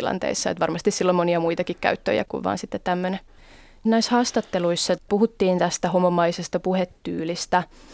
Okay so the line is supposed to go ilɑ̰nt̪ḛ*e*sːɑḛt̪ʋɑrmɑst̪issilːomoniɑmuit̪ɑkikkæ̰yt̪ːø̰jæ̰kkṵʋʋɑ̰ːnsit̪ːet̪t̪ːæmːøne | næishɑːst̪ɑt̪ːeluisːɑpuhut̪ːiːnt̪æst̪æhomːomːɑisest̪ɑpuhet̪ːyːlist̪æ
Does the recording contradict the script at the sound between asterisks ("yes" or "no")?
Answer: yes